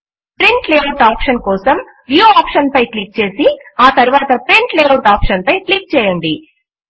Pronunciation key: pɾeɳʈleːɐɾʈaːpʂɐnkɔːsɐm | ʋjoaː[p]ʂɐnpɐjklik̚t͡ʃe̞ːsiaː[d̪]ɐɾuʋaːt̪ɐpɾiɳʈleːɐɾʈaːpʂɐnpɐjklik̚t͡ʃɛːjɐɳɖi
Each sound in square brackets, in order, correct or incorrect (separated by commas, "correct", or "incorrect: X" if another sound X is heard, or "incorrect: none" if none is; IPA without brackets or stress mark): correct, incorrect: t̪